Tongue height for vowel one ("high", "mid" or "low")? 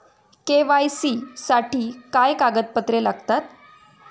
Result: mid